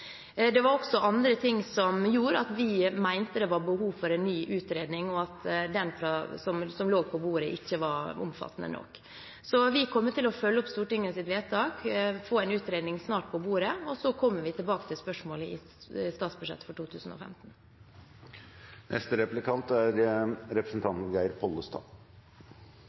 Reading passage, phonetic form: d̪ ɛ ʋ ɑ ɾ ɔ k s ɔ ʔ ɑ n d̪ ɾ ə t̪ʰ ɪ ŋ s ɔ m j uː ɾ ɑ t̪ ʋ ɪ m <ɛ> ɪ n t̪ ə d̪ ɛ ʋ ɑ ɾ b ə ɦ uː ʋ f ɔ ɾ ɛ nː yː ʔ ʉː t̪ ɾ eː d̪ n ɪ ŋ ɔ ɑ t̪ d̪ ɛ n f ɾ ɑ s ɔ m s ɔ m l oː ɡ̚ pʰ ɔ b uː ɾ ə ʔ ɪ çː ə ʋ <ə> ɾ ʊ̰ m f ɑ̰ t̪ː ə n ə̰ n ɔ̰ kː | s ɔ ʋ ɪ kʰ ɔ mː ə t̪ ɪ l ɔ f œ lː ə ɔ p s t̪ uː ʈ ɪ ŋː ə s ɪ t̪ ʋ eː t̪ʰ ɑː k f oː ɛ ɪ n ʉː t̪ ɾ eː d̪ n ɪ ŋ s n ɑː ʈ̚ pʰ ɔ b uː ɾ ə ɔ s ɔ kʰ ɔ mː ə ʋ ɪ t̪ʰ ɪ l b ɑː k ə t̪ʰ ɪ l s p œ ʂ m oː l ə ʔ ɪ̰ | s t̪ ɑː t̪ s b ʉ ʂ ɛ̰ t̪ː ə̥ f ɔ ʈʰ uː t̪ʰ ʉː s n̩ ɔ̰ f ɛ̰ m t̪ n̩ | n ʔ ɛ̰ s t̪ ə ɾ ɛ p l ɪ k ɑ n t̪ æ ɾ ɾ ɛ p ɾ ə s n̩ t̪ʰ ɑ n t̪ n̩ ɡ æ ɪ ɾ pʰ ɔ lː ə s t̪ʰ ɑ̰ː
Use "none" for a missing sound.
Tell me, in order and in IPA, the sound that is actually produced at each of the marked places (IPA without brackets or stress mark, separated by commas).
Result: æ, ɑ